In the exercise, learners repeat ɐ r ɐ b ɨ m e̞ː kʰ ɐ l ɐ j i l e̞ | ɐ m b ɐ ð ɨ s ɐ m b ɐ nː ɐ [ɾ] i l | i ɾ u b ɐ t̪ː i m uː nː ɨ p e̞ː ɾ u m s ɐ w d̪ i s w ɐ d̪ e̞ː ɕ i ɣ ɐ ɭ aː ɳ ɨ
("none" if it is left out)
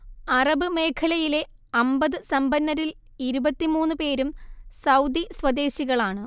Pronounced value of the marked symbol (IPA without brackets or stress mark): ɾ